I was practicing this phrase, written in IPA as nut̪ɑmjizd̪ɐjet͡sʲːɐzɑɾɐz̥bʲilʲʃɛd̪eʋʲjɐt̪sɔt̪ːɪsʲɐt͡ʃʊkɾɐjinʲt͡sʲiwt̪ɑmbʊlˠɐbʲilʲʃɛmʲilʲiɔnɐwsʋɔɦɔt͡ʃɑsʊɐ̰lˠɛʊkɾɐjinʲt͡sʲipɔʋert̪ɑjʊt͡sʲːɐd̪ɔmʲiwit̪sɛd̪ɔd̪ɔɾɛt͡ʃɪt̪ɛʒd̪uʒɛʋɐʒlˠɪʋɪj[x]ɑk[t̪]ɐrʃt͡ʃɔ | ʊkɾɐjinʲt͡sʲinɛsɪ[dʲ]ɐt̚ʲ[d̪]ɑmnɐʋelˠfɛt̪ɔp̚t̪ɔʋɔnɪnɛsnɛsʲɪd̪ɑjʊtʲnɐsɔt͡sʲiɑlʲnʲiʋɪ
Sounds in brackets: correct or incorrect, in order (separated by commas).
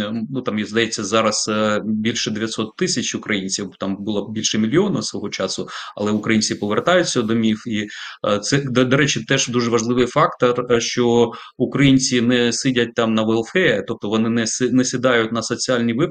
incorrect, correct, correct, incorrect